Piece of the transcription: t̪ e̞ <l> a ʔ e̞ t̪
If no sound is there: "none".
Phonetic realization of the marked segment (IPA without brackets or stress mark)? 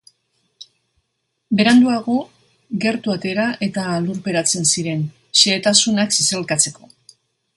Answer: ɾ